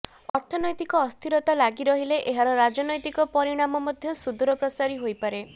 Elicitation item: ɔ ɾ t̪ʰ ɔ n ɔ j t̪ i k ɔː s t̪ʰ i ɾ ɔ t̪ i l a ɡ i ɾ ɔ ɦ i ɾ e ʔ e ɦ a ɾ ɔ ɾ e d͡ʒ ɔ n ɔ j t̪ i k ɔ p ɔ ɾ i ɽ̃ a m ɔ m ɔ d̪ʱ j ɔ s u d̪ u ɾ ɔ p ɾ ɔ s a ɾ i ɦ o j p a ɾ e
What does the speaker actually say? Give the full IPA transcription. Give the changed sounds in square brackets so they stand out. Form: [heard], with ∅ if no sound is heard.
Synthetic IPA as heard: ɔ ɾ t̪ʰ ɔ n ɔ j t̪ i k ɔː s t̪ʰ i ɾ ɔ t̪ [a] l a ɡ i ɾ ɔ ɦ i [l] e ʔ e ɦ a ɾ ɔ ɾ [a] d͡ʒ ɔ n ɔ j t̪ i k ɔ p ɔ ɾ i ɽ̃ a m ɔ m ɔ d̪ʱ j ɔ s u d̪ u ɾ ɔ p ɾ ɔ s a ɾ i ɦ o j p a ɾ e